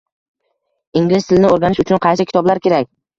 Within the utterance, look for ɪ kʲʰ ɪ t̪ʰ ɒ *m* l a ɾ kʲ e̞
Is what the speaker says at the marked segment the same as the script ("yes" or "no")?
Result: no